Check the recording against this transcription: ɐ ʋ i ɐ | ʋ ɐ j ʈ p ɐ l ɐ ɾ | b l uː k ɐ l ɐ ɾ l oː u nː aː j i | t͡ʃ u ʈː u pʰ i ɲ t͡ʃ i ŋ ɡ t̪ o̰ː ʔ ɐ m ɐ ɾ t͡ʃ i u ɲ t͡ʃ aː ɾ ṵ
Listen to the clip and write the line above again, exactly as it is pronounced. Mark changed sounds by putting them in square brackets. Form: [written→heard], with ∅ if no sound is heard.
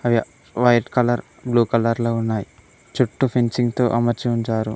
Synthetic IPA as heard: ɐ ʋ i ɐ | ʋ ɐ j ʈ [p→k] ɐ l ɐ ɾ | b l uː k ɐ l ɐ ɾ l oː u nː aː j i | t͡ʃ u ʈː u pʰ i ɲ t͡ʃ i ŋ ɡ t̪ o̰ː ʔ ɐ m ɐ ɾ t͡ʃ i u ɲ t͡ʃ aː ɾ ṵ